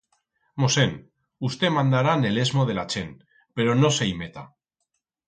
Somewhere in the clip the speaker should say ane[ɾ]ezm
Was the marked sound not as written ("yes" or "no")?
yes